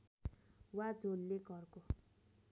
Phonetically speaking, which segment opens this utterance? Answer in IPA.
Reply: w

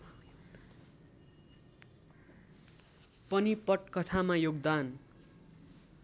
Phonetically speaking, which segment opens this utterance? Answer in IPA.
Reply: p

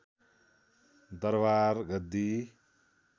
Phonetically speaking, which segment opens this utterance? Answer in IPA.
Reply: d̪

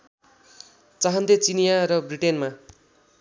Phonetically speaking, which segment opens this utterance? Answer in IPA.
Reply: t͡s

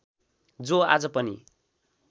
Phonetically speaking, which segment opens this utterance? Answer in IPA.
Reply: d͡z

